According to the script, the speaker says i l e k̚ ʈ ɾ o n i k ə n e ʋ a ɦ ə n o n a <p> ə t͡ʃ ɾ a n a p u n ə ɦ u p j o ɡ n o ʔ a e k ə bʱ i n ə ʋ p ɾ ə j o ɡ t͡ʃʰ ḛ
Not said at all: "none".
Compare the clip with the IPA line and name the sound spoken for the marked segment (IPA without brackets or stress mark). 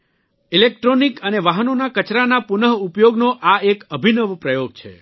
k